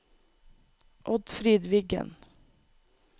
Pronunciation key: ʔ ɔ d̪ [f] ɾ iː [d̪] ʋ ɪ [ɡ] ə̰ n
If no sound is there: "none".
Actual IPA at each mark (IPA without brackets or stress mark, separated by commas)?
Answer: f, d̪, ɡ